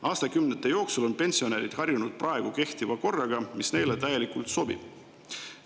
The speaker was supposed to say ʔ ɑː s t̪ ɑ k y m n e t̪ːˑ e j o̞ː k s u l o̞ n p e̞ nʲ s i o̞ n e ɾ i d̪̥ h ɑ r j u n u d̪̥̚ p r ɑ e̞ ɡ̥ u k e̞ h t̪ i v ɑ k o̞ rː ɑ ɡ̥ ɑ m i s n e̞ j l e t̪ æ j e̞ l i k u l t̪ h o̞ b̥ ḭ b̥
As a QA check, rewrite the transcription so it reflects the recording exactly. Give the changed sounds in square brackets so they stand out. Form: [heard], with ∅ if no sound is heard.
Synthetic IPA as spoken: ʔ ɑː s t̪ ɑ k y m n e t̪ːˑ e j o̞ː k s u l o̞ n p e̞ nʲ s i o̞ n e ɾ i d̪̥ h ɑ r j u n u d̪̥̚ p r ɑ e̞ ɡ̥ u k e̞ h t̪ i v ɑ k o̞ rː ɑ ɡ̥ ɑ m i s n e̞ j l e t̪ æ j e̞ l i k u l t̪ [s] o̞ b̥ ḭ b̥